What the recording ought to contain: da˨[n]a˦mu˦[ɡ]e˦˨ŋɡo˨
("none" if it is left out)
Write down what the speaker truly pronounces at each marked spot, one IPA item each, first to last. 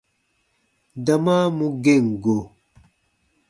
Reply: m, ɡ

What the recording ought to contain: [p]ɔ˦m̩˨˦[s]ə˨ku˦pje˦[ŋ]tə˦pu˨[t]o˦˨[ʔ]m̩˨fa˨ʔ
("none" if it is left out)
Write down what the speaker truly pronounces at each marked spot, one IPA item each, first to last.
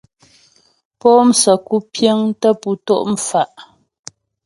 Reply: p, s, ŋ, t, ʔ

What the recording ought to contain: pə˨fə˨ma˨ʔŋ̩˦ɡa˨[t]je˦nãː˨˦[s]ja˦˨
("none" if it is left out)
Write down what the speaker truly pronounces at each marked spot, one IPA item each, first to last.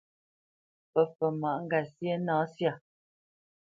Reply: s, s

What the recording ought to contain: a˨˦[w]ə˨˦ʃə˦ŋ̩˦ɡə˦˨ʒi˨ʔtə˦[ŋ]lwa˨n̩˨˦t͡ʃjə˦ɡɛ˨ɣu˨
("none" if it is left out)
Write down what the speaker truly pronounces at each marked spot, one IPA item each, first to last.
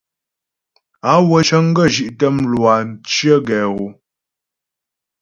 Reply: w, m

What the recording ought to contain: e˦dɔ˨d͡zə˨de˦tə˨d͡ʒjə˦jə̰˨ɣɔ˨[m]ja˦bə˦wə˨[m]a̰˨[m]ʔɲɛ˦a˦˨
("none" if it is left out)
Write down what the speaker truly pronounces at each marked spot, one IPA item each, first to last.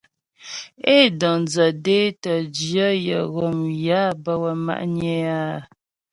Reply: m, m, none

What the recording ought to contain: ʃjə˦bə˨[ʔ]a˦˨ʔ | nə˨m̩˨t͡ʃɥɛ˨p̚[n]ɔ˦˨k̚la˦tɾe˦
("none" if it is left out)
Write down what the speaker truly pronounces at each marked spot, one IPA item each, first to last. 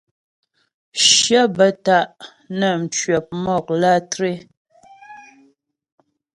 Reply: t, m

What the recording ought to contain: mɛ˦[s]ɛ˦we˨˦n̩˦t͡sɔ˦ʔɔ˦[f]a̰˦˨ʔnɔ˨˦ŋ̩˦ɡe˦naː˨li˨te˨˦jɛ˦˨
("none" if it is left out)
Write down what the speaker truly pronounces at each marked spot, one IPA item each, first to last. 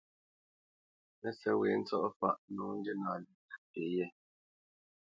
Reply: s, f

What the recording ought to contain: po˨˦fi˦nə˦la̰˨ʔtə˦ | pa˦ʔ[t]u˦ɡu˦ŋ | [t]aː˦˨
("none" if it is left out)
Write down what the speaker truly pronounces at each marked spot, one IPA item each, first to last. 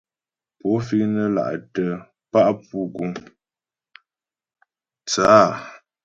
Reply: p, t͡s

